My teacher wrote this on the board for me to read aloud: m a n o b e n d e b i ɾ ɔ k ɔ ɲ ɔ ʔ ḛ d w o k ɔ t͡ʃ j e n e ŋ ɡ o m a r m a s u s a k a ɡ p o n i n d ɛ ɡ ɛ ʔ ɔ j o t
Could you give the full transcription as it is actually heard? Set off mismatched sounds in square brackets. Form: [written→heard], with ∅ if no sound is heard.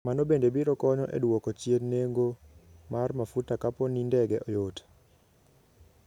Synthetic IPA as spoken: m a n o b e n d e b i ɾ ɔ k ɔ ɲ ɔ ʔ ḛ d w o k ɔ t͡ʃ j e n e ŋ ɡ o m a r m a [s→f] u [s→t] a k a [ɡ→∅] p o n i n d ɛ ɡ ɛ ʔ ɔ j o t